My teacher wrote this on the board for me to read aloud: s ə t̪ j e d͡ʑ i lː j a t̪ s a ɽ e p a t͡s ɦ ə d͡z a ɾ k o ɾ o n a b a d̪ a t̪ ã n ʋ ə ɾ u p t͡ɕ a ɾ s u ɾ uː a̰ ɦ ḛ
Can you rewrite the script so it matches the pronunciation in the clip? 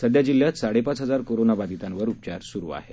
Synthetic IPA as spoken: s ə d̪ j a d͡ʑ i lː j a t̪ s a ɽ e p a t͡s ɦ ə d͡z a ɾ k o ɾ o n a b a d̪ i t̪ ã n ʋ ə ɾ u p t͡ɕ a ɾ s u ɾ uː a̰ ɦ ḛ